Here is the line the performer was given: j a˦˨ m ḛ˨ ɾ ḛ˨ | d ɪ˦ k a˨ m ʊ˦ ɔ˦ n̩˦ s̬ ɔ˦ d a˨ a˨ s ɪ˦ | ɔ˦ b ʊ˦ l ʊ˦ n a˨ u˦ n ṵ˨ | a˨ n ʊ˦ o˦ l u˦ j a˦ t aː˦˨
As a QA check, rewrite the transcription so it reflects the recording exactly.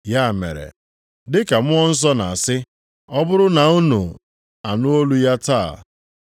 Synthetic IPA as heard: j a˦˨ m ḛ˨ ɾ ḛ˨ | d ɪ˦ k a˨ m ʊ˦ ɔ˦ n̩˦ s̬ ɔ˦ n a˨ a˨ s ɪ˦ | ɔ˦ b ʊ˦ ɾ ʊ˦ n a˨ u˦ n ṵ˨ | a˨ n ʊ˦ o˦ l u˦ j a˦ t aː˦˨